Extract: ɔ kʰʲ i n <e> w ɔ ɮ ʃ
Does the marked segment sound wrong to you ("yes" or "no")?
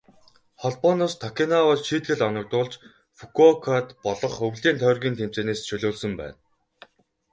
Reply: yes